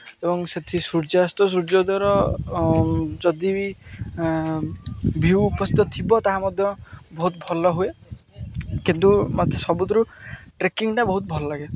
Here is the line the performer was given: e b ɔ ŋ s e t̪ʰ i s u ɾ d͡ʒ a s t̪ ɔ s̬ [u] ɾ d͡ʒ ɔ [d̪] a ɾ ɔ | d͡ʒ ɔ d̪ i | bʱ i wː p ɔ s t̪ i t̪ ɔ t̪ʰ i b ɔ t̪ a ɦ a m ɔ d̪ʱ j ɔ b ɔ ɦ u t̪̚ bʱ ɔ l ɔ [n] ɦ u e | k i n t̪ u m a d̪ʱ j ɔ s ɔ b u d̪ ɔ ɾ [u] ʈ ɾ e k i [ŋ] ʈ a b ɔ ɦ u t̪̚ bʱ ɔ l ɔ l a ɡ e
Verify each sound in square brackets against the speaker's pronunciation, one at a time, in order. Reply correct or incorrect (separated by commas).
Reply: correct, correct, incorrect, correct, correct